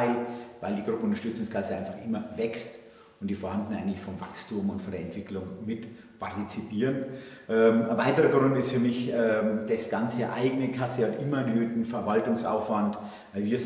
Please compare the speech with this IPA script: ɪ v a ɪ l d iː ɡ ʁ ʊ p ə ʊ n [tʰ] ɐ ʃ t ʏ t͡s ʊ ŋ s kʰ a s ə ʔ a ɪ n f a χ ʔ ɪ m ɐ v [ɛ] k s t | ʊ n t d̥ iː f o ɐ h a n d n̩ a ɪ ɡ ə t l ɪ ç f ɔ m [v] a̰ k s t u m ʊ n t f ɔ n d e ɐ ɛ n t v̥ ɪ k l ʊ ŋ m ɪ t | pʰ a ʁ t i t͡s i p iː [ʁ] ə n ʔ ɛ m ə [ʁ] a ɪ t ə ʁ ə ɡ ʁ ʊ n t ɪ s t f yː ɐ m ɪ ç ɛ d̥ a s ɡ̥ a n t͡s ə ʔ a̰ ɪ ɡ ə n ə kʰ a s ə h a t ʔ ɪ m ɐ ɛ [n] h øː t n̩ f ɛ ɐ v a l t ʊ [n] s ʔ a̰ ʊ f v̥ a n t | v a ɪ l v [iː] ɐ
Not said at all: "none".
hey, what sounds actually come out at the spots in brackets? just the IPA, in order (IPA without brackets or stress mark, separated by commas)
t, ɛ, v, ʁ, v, n, ŋ, iː